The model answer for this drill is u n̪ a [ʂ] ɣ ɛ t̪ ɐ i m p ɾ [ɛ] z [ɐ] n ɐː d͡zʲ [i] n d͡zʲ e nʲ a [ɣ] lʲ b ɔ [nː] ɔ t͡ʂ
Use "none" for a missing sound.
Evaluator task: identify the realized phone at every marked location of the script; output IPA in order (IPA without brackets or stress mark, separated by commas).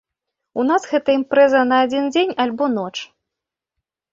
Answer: s, ɛ, ɐ, i, none, n